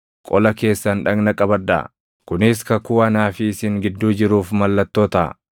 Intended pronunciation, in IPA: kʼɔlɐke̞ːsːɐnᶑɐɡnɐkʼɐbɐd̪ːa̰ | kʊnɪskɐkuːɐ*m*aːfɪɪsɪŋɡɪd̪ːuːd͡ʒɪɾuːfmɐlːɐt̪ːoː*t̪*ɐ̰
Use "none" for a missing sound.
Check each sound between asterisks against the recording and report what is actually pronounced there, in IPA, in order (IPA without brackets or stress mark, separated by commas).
n, t̪